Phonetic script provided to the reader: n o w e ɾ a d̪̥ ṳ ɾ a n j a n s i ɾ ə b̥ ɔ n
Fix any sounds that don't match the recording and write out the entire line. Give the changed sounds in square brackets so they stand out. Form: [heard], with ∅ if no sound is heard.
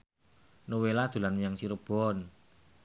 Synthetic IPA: n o w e [l] a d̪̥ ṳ [l] a n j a [ŋ] s i ɾ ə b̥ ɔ n